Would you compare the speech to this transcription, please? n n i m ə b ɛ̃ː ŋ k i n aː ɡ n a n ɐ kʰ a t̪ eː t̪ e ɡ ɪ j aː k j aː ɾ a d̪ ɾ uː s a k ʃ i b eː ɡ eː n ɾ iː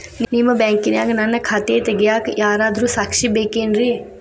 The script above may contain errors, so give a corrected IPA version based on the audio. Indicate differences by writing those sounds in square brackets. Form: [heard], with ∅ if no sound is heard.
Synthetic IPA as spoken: n n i m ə b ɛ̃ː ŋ k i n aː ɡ n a n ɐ kʰ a t̪ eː t̪ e ɡ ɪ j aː k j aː ɾ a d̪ ɾ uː s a k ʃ i b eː [k] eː n ɾ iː